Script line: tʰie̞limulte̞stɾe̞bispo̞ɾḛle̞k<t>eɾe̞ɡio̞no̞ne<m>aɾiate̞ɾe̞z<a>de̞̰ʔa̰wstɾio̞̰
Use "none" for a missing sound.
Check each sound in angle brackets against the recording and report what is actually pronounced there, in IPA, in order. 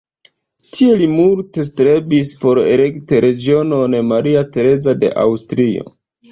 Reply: t, m, a

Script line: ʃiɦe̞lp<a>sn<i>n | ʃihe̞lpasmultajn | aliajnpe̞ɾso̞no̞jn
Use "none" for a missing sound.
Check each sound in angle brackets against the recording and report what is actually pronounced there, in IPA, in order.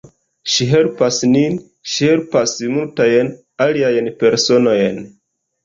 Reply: a, i

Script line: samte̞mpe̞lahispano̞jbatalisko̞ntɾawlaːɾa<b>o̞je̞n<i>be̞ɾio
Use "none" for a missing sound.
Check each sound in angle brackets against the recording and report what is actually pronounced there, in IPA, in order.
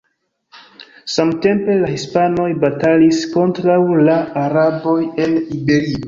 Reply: b, i

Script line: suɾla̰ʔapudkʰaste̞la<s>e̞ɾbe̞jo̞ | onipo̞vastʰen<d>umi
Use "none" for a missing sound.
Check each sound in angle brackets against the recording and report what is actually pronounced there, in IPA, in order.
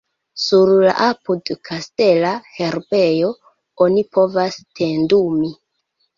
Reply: h, d

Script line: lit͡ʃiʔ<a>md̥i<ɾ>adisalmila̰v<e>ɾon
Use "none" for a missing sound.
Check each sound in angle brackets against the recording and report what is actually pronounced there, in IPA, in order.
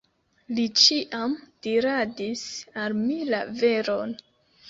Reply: a, ɾ, e

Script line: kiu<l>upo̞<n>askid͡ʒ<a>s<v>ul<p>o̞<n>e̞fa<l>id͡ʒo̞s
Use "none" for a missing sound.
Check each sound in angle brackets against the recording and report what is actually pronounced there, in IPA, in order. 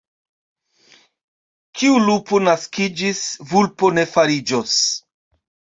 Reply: l, n, i, v, p, n, ɾ

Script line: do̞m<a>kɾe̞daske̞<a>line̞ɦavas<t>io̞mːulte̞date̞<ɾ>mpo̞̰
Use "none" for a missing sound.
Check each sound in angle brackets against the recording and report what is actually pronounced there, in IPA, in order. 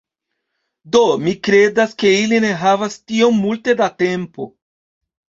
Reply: i, i, t, none

